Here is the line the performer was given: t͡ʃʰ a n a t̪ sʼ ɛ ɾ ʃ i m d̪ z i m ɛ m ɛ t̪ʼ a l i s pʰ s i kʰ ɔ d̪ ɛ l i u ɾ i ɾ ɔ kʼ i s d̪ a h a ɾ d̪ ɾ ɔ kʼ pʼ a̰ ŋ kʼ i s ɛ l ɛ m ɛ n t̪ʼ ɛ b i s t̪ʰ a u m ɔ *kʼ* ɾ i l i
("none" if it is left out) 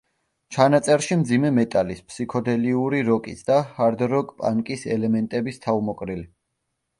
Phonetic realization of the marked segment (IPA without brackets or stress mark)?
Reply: kʼ